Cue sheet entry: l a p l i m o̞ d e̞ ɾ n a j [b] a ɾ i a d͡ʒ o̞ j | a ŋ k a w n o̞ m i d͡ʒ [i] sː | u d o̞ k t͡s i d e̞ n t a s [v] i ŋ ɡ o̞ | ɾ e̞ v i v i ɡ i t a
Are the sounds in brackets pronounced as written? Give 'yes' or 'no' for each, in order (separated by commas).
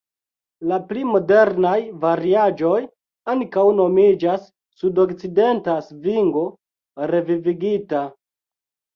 no, no, yes